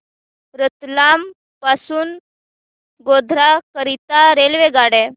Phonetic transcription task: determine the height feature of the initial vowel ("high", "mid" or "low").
mid